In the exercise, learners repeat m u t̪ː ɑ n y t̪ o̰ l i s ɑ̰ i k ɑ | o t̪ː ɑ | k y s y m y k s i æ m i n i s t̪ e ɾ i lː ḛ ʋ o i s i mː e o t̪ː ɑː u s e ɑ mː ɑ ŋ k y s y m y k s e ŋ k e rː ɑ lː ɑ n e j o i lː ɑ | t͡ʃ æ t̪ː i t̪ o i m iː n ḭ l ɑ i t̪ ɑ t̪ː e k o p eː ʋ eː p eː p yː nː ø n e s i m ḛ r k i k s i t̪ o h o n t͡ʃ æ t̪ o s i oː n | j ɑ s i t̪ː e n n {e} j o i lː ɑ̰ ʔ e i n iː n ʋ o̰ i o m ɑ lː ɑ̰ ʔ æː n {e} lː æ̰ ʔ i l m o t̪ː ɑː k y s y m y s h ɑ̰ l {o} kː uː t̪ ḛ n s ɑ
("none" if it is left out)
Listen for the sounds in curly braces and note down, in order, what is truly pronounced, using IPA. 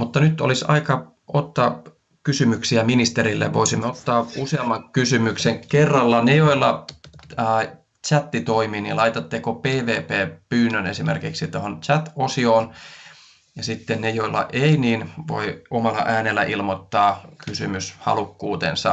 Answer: e, e, u

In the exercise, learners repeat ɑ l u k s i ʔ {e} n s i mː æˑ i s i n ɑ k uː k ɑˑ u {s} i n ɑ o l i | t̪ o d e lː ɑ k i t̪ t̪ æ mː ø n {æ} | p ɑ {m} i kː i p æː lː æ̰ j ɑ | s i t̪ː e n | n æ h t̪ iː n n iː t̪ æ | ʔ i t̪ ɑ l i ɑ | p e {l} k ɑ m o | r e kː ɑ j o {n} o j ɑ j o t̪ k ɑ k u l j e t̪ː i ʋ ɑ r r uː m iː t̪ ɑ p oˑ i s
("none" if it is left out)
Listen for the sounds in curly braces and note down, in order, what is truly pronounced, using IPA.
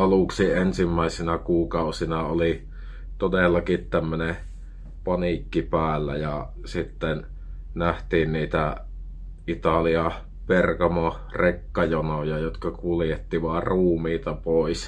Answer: e, s, e, n, r, n

